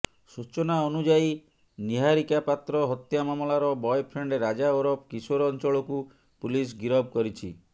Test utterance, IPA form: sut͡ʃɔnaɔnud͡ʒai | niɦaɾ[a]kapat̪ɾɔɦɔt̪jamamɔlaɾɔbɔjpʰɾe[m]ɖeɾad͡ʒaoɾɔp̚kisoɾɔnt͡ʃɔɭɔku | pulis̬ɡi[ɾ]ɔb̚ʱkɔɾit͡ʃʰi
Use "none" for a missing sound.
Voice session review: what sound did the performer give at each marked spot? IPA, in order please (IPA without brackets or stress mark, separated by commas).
i, ɳ, ɾ